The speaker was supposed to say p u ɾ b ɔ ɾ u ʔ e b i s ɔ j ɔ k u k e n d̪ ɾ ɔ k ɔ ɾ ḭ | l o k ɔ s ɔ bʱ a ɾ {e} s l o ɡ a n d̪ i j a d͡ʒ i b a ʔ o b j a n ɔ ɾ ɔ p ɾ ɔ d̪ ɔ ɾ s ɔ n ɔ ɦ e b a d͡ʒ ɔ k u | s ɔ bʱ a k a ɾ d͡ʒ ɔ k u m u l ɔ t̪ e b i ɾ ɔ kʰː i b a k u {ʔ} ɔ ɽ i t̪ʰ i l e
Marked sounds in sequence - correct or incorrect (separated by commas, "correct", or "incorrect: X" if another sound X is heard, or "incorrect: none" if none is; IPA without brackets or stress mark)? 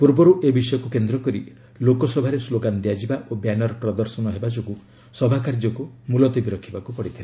correct, incorrect: p